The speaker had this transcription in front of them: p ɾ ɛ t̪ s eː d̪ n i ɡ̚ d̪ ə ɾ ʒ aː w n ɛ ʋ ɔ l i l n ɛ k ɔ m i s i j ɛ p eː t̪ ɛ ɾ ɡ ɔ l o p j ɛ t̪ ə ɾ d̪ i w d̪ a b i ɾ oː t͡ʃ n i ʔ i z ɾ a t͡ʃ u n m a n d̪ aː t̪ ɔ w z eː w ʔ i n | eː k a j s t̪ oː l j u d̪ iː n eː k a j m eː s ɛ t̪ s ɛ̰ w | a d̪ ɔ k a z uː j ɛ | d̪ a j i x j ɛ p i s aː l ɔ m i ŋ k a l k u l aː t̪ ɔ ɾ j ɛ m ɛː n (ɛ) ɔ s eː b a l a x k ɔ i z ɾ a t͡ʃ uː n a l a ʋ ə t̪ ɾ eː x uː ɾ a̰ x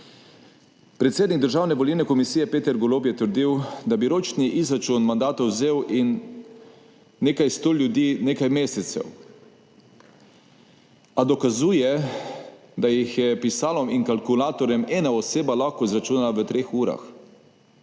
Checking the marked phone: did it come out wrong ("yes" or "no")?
yes